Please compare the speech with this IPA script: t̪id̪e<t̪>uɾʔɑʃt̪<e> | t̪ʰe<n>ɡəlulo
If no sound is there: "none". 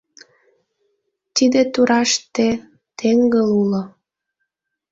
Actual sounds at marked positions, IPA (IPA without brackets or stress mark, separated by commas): t̪, e, ŋ